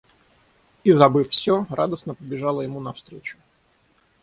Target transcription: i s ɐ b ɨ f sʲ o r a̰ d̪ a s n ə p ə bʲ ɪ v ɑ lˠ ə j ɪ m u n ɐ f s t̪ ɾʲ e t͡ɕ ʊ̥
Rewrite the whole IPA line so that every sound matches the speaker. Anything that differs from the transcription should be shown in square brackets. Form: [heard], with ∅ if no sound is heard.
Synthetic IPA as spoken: i [z] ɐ b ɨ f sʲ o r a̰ d̪ [ə] s n ə p ə bʲ ɪ [ʐ] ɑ lˠ ə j ɪ m u n ɐ f s t̪ ɾʲ e t͡ɕ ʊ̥